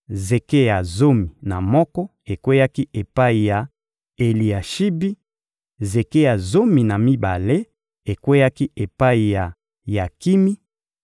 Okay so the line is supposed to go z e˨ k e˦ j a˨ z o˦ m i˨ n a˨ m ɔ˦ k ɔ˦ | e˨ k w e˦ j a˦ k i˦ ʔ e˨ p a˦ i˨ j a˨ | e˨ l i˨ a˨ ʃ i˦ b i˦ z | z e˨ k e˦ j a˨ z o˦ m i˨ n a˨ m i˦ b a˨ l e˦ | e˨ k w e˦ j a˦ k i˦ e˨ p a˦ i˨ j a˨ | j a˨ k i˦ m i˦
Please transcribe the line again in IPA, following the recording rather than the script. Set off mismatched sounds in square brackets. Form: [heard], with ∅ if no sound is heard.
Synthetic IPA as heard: z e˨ k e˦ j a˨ z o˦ m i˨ n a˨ m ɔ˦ k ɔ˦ | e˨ k w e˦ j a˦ k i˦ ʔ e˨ p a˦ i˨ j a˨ | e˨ l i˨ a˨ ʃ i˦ b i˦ [∅] | z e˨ k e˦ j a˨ z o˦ m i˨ n a˨ m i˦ b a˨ l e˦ | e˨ k w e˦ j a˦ k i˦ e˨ p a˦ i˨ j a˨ | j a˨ k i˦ m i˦